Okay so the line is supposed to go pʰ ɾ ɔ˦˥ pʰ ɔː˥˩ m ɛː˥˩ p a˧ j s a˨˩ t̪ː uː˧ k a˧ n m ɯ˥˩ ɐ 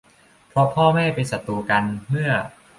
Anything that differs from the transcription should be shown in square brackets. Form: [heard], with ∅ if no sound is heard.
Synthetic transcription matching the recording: pʰ ɾ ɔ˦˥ pʰ ɔː˥˩ m ɛː˥˩ p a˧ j s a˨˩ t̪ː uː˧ k a˧ n m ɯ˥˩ ɐ